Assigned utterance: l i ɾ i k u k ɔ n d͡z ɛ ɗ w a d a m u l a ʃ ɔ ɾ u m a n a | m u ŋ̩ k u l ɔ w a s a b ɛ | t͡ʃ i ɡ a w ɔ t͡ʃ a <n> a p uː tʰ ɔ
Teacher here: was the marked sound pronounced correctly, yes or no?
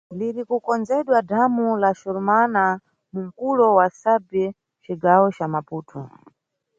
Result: no